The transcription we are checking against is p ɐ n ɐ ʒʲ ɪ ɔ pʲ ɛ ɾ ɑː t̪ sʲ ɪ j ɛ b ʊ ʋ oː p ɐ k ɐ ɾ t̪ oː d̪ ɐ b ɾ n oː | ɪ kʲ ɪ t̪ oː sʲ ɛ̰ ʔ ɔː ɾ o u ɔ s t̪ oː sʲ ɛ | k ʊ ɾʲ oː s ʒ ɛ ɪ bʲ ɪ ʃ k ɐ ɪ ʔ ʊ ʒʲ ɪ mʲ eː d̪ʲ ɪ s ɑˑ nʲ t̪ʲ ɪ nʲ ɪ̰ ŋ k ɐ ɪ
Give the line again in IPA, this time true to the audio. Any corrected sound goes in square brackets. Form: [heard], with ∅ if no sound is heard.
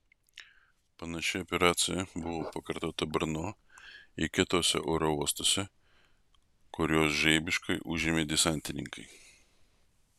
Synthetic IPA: p ɐ n ɐ [ʃʲ] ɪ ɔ pʲ ɛ ɾ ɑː t̪ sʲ ɪ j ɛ b ʊ ʋ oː p ɐ k ɐ ɾ t̪ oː [t̪] ɐ b ɾ n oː | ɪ kʲ ɪ t̪ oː sʲ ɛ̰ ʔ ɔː ɾ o u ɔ s t̪ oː sʲ ɛ | k ʊ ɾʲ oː s ʒ ɛ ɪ bʲ ɪ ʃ k ɐ ɪ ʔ ʊ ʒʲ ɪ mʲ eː d̪ʲ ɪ s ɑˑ nʲ t̪ʲ ɪ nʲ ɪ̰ ŋ k ɐ ɪ